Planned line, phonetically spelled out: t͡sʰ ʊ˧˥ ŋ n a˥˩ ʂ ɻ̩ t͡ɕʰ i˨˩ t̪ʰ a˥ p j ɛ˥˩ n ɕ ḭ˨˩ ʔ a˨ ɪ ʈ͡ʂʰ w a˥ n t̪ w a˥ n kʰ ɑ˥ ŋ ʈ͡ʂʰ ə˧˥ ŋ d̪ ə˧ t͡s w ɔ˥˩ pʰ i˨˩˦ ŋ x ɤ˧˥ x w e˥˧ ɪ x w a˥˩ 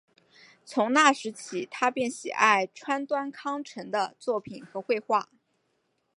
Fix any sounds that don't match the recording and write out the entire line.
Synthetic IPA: t͡sʰ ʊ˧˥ ŋ n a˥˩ ʂ ɻ̩ t͡ɕʰ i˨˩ t̪ʰ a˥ p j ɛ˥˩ n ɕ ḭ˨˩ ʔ a˥˩ ɪ ʈ͡ʂʰ w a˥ n t̪ w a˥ n kʰ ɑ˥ ŋ ʈ͡ʂʰ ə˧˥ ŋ d̪ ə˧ t͡s w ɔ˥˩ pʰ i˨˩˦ n x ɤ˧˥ x w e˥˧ ɪ x w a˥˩